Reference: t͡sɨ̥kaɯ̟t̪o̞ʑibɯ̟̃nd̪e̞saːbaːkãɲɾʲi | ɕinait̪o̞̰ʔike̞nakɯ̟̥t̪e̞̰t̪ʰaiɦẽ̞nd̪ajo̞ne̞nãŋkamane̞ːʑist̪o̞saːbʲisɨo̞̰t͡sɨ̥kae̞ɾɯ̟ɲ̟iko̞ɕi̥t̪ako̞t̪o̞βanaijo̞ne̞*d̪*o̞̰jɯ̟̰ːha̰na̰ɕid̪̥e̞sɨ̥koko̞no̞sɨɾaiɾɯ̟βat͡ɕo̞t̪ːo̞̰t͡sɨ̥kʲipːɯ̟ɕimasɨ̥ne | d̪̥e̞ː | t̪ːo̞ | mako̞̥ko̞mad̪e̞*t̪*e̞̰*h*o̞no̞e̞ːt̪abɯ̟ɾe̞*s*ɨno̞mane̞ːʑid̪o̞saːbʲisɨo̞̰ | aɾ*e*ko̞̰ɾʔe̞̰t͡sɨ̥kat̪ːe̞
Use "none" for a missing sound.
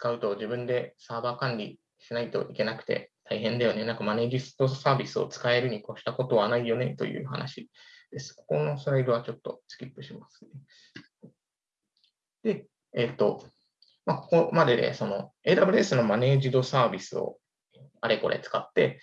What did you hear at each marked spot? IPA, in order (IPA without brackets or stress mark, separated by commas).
t̪, d̪, s, s, e